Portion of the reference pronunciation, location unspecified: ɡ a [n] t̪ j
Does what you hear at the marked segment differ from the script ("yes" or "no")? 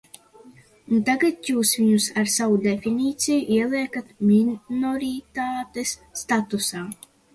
yes